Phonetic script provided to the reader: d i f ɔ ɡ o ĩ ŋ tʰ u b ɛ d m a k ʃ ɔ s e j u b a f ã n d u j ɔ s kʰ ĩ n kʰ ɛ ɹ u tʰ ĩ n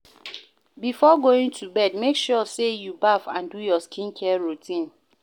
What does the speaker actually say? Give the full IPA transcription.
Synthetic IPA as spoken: b i f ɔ ɡ o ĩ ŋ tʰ u b ɛ d m e k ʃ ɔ s e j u b a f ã n d u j ɔ s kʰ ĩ n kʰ ɛ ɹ u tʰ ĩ n